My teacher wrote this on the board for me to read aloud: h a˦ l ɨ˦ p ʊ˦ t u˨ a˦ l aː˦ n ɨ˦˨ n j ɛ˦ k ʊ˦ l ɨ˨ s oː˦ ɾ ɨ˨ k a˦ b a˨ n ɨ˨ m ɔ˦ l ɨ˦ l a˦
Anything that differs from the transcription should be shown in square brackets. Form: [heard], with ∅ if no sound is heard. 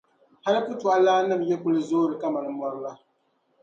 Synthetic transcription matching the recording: h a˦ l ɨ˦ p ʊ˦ t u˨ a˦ l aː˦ n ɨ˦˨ [m] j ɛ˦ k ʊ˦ l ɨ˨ [z] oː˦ ɾ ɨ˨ k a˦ [m] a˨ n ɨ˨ m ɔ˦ [ɾ] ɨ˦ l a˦